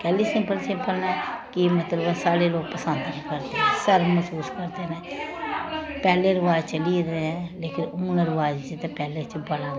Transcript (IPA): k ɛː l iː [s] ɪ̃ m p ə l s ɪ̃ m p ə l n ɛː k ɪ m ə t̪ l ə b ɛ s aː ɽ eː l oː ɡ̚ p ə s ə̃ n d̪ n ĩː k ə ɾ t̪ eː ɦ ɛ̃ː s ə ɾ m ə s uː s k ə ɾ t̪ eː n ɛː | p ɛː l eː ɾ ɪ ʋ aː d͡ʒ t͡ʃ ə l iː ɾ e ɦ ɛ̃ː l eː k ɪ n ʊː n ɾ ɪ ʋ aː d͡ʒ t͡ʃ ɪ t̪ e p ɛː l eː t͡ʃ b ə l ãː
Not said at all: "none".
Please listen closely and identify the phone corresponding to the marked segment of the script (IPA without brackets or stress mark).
s